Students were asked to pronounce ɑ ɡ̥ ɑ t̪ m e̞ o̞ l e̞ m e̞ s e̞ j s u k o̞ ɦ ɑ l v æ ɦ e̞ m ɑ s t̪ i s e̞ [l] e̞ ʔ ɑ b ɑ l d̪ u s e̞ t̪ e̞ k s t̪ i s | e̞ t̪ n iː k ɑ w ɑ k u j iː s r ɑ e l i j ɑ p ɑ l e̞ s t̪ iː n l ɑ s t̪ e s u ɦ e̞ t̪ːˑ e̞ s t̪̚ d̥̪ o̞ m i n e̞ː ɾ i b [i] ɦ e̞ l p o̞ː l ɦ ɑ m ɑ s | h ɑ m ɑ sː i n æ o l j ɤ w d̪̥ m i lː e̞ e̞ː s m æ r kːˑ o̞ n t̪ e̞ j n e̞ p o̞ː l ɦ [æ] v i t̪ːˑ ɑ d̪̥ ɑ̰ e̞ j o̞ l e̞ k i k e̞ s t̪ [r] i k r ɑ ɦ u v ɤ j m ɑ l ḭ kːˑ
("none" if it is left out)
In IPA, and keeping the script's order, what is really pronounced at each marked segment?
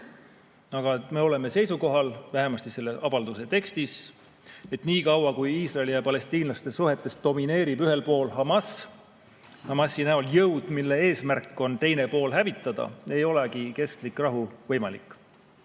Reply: lː, y, æ, l

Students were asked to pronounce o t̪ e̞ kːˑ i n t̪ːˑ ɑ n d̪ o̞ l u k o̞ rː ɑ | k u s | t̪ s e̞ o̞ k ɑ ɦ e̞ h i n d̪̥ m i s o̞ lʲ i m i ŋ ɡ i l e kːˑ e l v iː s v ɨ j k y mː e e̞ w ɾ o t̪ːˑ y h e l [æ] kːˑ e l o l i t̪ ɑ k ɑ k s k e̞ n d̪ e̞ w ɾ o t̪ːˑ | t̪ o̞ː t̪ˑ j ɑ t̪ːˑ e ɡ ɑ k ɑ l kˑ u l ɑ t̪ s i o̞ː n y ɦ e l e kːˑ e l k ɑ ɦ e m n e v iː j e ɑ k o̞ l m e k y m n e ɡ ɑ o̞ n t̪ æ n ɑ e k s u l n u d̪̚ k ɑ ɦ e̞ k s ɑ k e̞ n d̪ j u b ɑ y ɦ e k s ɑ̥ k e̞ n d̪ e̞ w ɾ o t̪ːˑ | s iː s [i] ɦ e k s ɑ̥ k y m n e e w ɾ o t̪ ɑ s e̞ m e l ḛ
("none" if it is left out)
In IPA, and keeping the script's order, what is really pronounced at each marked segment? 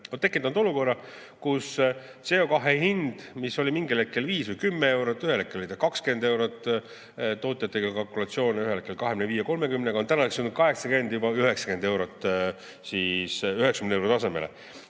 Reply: e, y

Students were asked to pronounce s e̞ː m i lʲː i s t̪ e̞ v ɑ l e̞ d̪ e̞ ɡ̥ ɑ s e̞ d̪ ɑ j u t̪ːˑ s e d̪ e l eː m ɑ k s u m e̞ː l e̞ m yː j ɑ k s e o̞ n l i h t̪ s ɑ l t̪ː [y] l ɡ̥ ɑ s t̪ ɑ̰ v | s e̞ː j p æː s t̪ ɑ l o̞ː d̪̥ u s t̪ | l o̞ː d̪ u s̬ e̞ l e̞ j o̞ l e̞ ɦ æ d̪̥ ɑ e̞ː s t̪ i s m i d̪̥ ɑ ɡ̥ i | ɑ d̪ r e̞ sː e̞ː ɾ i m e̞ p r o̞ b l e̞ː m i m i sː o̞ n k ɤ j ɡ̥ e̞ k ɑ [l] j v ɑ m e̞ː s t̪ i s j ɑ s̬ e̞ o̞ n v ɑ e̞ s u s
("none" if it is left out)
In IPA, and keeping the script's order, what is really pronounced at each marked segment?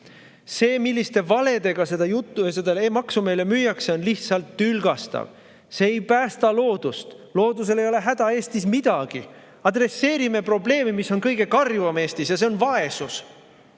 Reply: y, r

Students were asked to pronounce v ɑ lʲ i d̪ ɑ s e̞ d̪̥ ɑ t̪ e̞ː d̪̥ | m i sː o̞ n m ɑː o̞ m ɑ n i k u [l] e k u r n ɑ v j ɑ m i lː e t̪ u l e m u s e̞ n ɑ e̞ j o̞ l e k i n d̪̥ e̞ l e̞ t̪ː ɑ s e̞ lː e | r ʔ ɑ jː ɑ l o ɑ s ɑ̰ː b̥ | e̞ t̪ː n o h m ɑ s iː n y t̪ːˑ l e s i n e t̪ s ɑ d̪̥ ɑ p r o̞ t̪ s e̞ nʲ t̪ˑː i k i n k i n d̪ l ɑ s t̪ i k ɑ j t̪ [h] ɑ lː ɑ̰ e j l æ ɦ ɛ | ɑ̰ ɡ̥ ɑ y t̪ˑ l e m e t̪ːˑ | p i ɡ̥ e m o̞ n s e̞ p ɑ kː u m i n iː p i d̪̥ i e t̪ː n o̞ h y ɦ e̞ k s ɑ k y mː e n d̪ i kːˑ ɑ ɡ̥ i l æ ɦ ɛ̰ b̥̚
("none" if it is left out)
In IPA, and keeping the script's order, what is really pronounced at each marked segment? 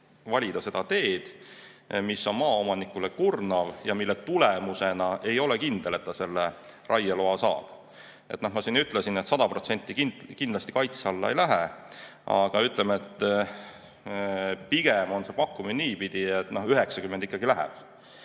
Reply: l, s

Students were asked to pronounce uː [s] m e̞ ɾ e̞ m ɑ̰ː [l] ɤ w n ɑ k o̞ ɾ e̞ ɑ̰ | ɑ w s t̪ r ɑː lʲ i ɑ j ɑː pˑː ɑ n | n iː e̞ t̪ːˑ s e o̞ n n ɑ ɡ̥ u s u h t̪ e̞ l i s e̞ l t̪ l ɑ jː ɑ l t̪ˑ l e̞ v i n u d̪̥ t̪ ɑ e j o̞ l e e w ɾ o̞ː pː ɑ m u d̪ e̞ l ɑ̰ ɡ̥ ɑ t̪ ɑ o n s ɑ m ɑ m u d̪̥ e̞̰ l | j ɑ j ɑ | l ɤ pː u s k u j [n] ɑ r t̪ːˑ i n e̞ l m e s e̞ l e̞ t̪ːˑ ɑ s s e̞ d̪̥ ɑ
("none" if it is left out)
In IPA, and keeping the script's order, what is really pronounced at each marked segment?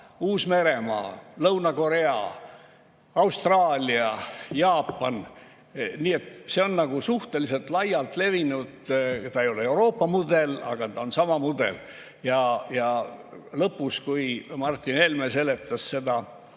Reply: s, l, m

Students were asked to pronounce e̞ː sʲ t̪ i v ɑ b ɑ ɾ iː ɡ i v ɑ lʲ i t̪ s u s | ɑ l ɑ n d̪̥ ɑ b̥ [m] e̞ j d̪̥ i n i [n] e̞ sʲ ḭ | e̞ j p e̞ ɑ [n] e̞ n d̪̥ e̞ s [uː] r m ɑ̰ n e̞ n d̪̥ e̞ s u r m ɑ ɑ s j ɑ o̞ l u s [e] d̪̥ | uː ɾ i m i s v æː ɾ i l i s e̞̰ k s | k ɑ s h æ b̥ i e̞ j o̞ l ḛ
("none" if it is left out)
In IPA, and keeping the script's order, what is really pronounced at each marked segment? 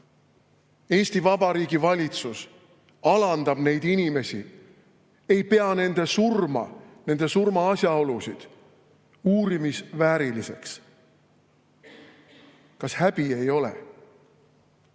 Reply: n, m, n, u, i

